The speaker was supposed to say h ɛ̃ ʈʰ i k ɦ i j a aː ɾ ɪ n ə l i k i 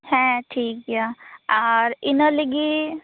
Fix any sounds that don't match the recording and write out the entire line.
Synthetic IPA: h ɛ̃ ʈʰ iː k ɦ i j a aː ɾ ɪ n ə l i ɡ i